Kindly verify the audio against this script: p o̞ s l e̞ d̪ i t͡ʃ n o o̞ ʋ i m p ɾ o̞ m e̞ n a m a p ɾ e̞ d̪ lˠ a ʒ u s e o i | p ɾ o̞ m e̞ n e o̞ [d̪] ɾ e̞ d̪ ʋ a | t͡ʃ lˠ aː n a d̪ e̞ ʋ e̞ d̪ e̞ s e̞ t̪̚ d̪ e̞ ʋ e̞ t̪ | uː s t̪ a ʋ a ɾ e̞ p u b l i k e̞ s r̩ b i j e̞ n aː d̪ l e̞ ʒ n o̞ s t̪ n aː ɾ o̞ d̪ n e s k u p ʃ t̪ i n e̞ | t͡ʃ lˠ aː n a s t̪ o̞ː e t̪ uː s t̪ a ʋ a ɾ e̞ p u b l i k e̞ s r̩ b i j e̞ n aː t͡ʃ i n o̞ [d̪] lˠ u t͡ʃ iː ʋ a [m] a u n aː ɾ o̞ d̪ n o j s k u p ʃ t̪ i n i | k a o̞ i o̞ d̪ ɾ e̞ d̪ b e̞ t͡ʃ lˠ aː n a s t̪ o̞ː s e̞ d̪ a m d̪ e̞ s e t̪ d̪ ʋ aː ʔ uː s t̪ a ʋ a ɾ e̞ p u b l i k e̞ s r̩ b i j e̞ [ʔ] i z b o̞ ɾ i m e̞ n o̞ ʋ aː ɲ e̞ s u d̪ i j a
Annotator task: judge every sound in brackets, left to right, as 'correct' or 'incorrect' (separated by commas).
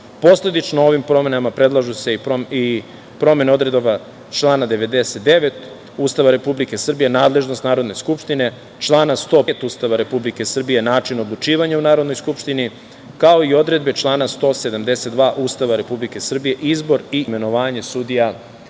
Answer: correct, correct, incorrect, correct